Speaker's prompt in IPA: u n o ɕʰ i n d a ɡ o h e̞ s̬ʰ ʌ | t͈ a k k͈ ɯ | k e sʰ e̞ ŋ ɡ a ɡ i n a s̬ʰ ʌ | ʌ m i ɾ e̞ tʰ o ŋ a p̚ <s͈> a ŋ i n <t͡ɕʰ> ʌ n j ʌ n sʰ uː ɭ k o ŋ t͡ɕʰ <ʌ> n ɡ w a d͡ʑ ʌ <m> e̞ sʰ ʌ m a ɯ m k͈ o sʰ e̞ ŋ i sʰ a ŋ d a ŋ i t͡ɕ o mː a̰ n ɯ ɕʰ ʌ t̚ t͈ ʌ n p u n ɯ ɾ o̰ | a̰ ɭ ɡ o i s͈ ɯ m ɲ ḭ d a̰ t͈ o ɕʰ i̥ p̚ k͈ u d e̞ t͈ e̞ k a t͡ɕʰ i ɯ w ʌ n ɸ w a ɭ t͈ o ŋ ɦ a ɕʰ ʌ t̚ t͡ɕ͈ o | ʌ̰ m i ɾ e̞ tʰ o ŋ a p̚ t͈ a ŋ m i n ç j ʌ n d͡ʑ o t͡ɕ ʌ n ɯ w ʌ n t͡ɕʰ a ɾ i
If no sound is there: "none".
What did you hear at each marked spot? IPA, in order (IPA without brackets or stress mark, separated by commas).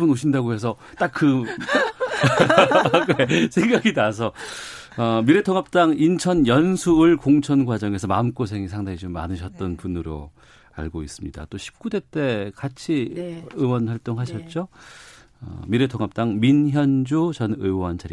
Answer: t͈, t͡ɕʰ, ʌ, ŋ